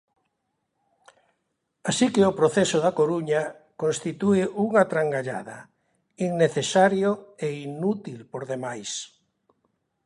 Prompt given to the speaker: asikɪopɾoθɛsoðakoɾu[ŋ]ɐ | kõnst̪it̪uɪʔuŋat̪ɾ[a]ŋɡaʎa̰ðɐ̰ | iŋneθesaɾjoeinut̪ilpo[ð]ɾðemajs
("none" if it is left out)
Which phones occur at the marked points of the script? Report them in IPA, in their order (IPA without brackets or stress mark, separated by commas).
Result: ɲ, a, none